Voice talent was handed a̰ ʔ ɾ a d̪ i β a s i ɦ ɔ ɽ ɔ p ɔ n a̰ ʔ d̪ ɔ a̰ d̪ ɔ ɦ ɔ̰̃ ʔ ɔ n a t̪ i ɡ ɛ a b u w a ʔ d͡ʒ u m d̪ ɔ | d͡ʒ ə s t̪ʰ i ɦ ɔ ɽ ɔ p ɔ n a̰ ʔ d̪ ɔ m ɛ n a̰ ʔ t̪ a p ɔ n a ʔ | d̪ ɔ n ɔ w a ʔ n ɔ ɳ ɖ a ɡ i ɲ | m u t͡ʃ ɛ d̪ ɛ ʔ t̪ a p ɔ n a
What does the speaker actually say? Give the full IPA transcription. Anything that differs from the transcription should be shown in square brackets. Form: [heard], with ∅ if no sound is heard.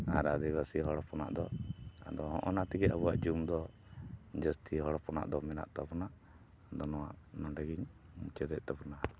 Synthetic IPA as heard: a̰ [∅] ɾ a d̪ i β a s i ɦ ɔ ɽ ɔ p ɔ n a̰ ʔ d̪ ɔ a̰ d̪ ɔ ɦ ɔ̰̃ ʔ ɔ n a t̪ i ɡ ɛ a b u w a ʔ d͡ʒ u m d̪ ɔ | d͡ʒ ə s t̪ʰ i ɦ ɔ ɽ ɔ p ɔ n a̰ ʔ d̪ ɔ m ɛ n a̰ ʔ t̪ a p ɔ n a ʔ | d̪ ɔ n ɔ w a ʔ n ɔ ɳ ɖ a ɡ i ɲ | m u t͡ʃ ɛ d̪ ɛ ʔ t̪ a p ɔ n a